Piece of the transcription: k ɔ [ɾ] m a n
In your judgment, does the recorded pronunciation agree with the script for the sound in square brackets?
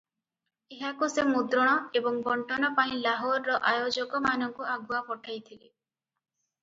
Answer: no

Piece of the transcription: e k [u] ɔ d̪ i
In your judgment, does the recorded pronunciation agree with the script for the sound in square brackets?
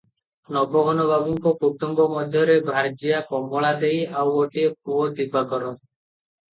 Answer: yes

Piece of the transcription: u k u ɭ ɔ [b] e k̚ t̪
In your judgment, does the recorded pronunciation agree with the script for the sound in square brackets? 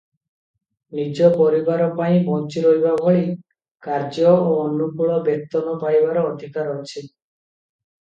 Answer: yes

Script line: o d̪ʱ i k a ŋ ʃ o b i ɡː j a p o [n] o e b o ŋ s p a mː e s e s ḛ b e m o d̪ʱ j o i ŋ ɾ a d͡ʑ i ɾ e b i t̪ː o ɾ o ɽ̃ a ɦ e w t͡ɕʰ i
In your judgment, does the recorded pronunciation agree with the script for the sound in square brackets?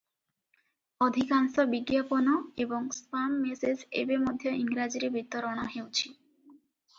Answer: yes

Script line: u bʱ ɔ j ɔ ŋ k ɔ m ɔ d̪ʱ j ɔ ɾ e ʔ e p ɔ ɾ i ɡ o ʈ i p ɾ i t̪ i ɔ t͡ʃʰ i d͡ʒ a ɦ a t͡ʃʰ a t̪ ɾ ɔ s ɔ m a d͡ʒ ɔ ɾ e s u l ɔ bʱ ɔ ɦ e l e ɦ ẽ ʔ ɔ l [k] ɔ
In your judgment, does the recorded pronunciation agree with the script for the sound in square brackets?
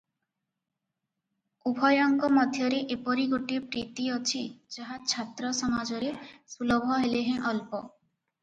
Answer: no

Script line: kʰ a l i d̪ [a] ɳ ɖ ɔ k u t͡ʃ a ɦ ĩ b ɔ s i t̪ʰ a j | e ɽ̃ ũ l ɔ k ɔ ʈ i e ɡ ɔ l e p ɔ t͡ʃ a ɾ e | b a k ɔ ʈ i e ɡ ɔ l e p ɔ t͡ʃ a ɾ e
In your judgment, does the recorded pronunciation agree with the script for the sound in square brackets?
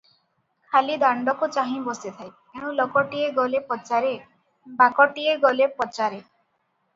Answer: yes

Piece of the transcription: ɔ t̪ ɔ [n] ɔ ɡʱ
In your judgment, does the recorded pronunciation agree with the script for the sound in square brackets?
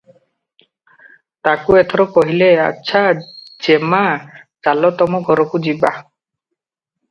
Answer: no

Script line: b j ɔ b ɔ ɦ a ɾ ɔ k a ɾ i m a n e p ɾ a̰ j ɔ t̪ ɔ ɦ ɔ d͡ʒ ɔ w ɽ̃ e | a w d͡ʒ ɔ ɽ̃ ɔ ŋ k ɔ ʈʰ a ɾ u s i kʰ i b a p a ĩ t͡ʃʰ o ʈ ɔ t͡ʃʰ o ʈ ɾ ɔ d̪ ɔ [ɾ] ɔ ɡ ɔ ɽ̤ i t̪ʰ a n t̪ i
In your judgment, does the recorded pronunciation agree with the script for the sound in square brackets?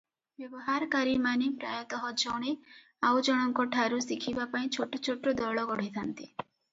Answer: no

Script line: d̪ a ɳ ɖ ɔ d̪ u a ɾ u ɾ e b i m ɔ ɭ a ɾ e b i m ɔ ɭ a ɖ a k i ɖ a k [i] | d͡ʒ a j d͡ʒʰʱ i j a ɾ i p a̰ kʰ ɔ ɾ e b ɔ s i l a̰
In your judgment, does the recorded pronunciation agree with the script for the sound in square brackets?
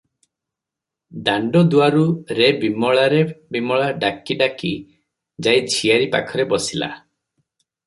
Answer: yes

